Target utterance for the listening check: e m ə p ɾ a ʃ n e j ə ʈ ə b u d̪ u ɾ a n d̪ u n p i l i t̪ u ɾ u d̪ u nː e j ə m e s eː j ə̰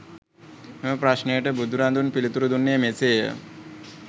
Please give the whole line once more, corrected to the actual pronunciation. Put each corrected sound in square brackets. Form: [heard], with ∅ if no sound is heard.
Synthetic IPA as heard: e m ə p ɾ a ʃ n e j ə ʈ ə b u d̪ u ɾ a n d̪ u n p i l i t̪ u ɾ u d̪ u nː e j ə m e s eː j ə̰